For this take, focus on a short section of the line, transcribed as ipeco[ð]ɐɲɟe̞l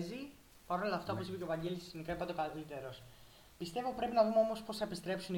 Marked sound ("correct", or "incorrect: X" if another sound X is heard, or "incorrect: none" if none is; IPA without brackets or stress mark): incorrect: v